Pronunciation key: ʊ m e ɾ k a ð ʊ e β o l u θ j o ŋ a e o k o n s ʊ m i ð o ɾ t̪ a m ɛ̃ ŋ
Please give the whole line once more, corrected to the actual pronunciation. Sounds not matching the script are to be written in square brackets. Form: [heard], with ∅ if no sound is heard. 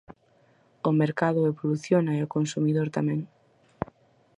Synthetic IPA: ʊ m e ɾ k a ð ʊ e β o l u θ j o [n] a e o k o n s [u] m i ð o ɾ t̪ a m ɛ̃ ŋ